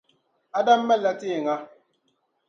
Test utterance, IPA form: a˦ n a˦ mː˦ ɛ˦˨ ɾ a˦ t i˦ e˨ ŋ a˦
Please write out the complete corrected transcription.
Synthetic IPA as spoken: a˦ d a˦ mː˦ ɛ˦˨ l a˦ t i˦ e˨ ŋ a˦